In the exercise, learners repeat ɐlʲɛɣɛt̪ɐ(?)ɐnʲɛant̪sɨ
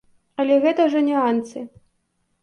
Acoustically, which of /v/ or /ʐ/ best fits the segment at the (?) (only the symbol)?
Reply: ʐ